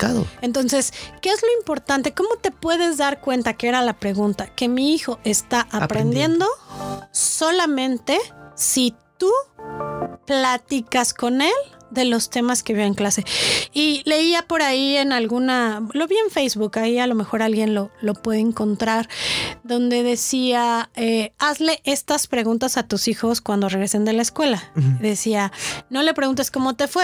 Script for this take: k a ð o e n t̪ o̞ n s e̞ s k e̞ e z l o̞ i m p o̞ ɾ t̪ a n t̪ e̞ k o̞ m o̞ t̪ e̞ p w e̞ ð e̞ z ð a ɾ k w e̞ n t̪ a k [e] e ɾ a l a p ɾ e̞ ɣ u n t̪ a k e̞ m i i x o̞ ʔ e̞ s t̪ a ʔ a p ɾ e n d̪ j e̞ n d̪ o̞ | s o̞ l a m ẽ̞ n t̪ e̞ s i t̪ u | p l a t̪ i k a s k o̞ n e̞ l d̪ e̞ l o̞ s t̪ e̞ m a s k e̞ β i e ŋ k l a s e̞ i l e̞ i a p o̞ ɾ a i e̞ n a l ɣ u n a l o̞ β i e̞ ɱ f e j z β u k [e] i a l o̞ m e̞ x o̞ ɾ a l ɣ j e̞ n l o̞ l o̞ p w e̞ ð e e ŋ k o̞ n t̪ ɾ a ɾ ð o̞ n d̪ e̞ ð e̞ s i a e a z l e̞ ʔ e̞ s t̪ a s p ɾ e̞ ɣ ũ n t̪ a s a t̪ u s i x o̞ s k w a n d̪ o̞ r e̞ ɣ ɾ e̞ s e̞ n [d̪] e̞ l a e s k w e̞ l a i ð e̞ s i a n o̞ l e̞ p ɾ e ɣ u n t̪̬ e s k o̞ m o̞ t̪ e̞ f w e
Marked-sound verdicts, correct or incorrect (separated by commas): correct, incorrect, correct